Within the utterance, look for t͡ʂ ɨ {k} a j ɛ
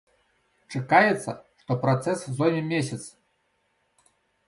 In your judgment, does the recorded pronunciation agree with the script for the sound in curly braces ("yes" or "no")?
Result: yes